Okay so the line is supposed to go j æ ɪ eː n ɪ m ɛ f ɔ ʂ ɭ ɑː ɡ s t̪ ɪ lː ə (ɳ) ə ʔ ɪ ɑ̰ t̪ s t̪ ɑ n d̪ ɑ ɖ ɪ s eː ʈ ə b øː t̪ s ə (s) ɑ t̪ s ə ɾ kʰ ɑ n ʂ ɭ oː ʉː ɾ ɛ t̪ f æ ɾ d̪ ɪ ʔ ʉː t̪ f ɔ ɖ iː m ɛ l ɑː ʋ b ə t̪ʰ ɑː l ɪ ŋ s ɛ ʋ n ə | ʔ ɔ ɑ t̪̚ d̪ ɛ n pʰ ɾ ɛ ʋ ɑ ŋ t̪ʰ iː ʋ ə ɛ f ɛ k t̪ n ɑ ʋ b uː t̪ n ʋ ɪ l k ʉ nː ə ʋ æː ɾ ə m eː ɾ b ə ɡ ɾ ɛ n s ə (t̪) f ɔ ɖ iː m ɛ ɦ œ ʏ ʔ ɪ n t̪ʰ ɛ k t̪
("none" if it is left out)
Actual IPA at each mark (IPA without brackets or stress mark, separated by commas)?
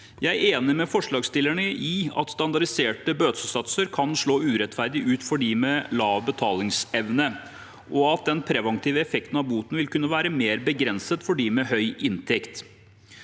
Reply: ɳ, s, t̪